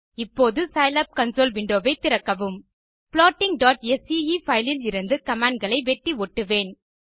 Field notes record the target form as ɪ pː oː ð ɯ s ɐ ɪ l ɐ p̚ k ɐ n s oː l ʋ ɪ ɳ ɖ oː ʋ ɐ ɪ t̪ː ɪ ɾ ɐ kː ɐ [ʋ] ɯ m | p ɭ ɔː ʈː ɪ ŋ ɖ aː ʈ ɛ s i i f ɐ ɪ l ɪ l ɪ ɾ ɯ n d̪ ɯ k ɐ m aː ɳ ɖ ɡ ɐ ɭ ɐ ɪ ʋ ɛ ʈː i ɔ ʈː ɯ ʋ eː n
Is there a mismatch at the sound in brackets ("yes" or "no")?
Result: no